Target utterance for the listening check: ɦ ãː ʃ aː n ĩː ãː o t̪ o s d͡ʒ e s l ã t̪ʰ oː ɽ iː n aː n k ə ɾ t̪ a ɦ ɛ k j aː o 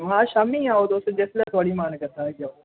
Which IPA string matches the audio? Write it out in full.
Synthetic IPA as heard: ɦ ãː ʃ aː m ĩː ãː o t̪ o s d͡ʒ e s l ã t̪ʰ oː ɽ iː m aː n k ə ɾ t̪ a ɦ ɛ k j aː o